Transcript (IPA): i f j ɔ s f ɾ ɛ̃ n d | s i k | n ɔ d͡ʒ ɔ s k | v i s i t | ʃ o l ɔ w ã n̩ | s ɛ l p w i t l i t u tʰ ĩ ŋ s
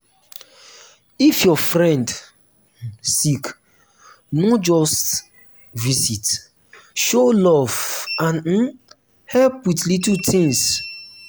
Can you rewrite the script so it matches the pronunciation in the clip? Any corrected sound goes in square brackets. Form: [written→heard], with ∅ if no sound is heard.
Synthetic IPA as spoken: i f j ɔ [s→∅] f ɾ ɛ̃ n d | s i k | n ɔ d͡ʒ ɔ s [k→t] | v i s i t | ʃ o l ɔ [w→v] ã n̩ | [s→h] ɛ l p w i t l i t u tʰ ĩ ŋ s